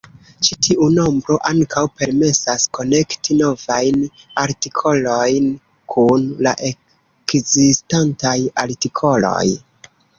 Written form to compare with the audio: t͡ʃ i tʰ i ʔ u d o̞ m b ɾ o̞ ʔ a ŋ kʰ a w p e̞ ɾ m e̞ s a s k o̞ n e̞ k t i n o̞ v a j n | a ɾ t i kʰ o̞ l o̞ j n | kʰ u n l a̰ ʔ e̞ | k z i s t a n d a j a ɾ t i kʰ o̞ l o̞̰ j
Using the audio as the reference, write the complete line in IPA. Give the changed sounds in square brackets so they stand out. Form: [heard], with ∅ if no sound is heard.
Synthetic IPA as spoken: t͡ʃ i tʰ i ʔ u [n] o̞ m b ɾ o̞ ʔ a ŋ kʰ a w p e̞ ɾ m e̞ s a s k o̞ n e̞ k t i n o̞ v a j n | a ɾ t i kʰ o̞ l o̞ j n | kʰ u n l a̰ ʔ e̞ | k z i s t a n [t] a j a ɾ t i kʰ o̞ l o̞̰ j